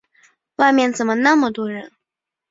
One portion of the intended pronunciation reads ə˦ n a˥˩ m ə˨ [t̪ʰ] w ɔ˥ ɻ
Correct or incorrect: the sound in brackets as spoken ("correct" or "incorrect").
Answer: incorrect